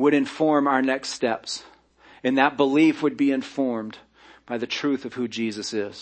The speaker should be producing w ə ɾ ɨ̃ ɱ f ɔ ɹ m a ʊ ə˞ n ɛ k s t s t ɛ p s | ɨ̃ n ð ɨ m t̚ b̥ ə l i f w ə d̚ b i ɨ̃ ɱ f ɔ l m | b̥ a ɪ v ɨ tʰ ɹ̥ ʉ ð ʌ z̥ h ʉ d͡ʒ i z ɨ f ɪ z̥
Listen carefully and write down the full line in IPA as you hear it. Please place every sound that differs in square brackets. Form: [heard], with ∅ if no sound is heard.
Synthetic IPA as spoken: w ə ɾ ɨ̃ ɱ f ɔ ɹ m a ʊ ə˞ n ɛ k s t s t ɛ p s | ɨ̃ n ð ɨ [∅] t̚ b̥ ə l i f w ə d̚ b i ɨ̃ ɱ f ɔ [ɹ] m | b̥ a ɪ [ð] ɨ tʰ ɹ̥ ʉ [θ] ʌ [v̥] h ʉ d͡ʒ i z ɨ [s] ɪ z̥